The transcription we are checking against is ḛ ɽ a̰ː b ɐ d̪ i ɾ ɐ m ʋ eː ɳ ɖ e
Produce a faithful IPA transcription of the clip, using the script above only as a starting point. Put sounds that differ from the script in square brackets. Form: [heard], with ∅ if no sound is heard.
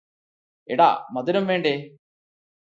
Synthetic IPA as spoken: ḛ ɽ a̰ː [m] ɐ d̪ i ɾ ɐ m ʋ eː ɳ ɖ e